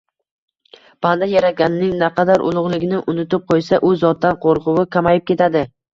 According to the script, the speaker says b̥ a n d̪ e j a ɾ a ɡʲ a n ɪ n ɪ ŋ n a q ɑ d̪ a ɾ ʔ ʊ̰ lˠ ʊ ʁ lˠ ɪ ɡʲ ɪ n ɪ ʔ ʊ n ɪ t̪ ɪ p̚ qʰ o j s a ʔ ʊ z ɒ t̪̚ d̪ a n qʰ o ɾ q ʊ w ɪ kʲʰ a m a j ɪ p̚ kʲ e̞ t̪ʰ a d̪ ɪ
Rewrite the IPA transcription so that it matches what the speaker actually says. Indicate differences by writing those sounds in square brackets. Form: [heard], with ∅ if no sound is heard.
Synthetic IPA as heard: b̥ a n d̪ [a] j a ɾ a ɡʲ a n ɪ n ɪ ŋ n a q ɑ d̪ a ɾ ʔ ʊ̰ lˠ ʊ ʁ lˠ ɪ ɡʲ ɪ n ɪ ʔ ʊ n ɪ t̪ ɪ p̚ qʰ o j s a ʔ ʊ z ɒ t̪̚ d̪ a n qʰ o ɾ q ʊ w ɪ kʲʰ a m a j ɪ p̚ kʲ e̞ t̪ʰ a d̪ ɪ